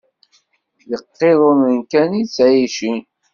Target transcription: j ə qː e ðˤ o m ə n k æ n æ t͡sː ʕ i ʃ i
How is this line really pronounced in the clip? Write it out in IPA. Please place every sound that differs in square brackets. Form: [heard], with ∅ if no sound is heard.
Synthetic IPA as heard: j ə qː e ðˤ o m ə n k æ n [i] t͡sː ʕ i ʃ i